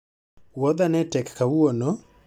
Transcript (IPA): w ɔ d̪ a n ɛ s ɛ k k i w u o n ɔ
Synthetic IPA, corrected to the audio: w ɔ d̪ a n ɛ t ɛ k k a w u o n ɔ